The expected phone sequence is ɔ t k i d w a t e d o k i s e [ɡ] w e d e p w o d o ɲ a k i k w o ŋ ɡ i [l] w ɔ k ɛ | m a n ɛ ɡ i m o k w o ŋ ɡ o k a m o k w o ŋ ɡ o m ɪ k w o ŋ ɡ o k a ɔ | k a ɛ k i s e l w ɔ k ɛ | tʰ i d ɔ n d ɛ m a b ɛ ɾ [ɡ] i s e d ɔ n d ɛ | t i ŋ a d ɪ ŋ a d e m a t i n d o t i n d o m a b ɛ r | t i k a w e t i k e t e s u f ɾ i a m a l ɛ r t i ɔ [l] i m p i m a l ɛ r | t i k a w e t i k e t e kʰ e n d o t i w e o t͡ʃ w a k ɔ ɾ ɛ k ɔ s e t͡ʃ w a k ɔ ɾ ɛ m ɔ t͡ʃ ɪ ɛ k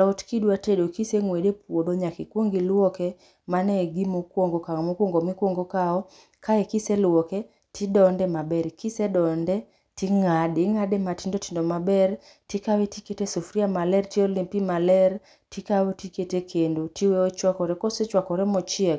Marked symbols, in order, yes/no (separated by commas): no, yes, no, yes